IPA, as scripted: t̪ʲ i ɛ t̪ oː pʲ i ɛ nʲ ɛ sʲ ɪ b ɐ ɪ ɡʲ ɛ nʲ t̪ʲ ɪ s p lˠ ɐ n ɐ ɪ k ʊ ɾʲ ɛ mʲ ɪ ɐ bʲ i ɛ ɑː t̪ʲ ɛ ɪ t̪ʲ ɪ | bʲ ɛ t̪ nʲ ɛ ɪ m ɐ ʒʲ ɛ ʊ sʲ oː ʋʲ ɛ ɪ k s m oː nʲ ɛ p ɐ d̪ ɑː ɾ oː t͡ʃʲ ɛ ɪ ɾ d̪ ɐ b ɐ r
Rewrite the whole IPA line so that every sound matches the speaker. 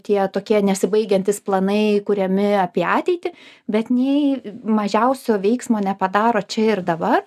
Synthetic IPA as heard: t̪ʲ i ɛ t̪ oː kʲ i ɛ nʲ ɛ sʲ ɪ b ɐ ɪ ɡʲ ɛ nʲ t̪ʲ ɪ s p lˠ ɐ n ɐ ɪ k ʊ ɾʲ ɛ mʲ ɪ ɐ pʲ i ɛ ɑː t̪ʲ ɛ ɪ t̪ʲ ɪ | bʲ ɛ t̪ nʲ ɛ ɪ m ɐ ʒʲ ɛ ʊ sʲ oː ʋʲ ɛ ɪ k s m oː nʲ ɛ p ɐ d̪ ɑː ɾ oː t͡ʃʲ ɛ ɪ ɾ d̪ ɐ b ɐ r